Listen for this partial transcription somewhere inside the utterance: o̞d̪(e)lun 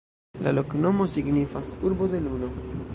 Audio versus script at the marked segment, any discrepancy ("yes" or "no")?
no